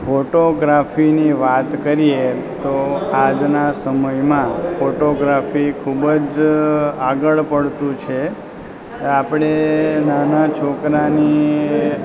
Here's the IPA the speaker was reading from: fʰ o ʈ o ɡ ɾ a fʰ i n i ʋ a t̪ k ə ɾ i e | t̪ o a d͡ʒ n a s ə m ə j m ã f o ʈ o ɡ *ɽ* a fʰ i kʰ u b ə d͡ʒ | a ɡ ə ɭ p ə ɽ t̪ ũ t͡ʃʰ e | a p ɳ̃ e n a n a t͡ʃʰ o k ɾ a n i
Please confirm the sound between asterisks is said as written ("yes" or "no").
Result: no